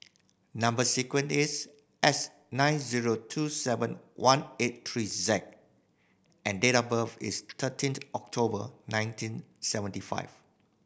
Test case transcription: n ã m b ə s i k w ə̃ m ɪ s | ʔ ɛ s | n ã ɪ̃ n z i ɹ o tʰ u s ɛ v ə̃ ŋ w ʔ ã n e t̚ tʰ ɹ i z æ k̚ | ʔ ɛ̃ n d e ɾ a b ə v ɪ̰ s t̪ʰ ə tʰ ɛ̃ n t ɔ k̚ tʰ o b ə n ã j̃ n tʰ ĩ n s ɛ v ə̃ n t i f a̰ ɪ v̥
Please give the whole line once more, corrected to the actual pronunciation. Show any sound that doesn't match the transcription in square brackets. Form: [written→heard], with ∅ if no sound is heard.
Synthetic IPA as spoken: n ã m b ə s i k w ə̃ [m→n] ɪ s | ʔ ɛ s | n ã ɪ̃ n z i ɹ o tʰ u s ɛ v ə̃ [ŋ→n] w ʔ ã n e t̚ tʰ ɹ i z [æ→ɛ] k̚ | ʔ ɛ̃ n d e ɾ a b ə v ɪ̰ s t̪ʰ ə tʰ [ɛ̃→ĩ] n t ɔ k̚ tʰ o b ə n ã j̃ n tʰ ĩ n s ɛ v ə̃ n t i f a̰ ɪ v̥

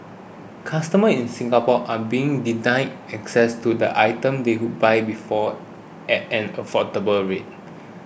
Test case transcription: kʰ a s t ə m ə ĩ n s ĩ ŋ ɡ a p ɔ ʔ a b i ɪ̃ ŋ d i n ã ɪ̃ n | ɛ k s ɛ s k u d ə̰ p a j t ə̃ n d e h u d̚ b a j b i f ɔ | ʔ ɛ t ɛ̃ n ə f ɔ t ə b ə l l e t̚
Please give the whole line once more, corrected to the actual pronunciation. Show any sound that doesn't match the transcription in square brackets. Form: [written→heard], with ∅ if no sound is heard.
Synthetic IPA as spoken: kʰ a s t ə m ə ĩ n s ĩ ŋ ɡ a p ɔ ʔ a b i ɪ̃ ŋ d i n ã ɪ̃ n | ɛ k s ɛ s [k→t] u d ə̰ [p→ʔ] a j t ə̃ [n→m] d e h u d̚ b a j b i f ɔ | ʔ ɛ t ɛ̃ n ə f ɔ t ə b ə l [l→ɹ] e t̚

